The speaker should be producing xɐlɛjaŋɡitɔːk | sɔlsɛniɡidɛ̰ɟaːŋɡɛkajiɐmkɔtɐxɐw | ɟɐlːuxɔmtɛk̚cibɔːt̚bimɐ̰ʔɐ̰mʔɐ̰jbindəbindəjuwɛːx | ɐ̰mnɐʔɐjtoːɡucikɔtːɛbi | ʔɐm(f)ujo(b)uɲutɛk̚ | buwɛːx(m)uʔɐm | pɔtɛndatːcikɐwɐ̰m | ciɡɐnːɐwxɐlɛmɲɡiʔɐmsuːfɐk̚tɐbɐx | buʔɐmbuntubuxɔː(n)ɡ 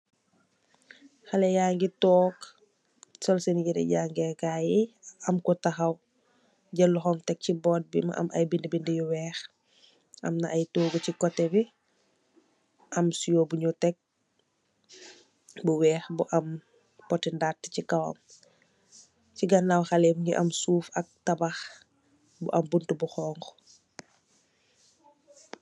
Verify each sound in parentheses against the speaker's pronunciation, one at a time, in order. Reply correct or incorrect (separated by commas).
incorrect, correct, incorrect, incorrect